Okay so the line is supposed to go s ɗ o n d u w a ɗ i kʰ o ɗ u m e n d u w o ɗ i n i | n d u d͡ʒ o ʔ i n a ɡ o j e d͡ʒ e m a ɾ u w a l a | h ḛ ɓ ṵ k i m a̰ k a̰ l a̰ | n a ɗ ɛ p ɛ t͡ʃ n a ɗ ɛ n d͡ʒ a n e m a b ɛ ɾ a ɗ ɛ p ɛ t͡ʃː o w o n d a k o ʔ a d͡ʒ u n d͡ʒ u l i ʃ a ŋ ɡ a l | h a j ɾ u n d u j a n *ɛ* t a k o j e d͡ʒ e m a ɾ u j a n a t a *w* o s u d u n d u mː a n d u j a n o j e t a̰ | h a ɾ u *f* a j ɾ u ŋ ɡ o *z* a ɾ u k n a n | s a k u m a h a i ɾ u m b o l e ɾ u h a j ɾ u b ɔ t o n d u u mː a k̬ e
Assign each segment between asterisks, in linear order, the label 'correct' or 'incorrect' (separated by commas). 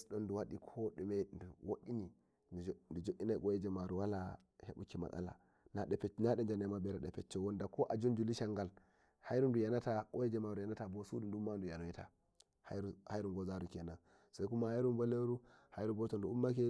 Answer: incorrect, incorrect, incorrect, correct